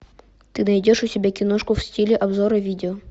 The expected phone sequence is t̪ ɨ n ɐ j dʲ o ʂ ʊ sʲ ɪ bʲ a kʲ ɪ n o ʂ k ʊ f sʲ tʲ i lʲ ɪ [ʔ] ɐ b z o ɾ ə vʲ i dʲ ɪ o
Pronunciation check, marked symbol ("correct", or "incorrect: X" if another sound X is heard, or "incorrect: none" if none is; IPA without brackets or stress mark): correct